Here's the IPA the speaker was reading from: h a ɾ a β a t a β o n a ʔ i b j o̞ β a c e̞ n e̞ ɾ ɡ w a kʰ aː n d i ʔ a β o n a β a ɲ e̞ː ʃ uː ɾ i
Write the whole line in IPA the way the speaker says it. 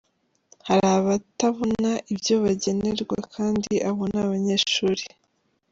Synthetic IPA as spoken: h a ɾ a β a t a β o n a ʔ i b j o̞ β a ɟ e̞ n e̞ ɾ ɡ w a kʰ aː n d i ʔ a β o n a β a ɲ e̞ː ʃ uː ɾ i